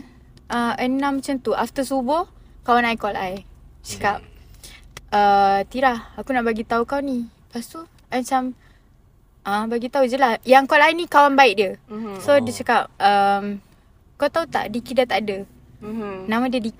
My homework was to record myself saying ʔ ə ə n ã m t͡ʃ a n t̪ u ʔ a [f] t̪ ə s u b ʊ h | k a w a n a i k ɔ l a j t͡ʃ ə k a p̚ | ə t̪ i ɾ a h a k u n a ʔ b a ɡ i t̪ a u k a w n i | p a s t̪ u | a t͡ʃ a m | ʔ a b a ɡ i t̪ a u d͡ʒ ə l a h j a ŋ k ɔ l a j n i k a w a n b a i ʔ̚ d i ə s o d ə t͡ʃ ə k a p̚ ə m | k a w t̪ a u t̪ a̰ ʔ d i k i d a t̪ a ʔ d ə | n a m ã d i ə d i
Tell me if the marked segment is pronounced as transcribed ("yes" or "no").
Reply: yes